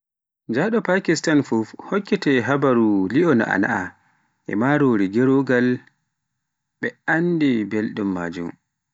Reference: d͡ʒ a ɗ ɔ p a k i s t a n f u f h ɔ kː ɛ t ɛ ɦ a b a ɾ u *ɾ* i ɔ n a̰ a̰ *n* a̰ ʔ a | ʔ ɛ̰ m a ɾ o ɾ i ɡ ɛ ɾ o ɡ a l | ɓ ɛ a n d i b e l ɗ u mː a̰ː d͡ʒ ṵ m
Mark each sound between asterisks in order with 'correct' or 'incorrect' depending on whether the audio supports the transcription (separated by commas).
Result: incorrect, correct